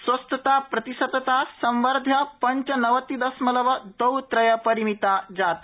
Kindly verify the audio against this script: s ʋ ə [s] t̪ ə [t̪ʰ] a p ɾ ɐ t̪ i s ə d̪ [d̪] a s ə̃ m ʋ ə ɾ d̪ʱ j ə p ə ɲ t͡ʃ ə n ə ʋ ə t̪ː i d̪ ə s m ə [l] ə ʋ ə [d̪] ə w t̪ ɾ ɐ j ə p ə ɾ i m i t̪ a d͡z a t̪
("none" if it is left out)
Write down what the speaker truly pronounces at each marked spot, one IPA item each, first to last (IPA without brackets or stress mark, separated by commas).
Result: s, t̪, t̪, l, d̪